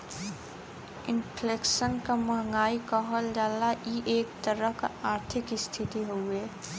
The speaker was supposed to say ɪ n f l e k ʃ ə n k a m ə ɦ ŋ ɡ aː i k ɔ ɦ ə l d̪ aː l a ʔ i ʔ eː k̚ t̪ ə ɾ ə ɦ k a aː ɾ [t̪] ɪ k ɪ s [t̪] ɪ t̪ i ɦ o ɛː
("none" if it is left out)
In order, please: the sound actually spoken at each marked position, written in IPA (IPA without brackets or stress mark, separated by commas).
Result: t̪ʰ, t̪ʰ